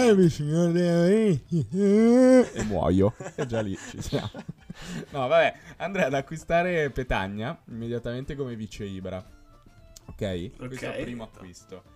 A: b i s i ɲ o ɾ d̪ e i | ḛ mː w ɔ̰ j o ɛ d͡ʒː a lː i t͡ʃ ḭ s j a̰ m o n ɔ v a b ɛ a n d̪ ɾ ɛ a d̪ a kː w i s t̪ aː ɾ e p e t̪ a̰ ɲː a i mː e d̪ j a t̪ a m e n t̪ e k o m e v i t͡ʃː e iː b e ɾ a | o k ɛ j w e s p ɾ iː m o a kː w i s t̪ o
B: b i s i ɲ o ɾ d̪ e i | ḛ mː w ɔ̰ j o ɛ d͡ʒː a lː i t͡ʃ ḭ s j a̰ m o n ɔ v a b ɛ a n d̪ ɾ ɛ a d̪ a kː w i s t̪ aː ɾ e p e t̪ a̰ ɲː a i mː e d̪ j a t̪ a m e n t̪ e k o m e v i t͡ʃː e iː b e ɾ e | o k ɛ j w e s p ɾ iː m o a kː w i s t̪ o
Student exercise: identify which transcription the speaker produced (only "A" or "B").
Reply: A